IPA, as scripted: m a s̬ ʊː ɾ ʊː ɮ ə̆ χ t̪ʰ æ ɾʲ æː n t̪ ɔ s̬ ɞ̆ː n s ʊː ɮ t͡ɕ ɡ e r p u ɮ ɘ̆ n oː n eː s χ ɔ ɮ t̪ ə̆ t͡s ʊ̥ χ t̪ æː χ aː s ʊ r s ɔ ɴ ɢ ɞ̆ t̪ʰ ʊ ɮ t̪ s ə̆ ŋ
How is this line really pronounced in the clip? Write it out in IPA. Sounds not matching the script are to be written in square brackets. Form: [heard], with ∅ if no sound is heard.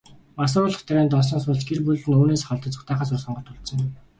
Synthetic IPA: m a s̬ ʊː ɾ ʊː ɮ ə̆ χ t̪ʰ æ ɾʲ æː n t̪ ɔ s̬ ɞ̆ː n s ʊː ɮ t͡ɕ ɡ e r p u ɮ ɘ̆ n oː n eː s χ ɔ ɮ t̪ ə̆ t͡s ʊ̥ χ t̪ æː χ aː s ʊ r s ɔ ɴ ɢ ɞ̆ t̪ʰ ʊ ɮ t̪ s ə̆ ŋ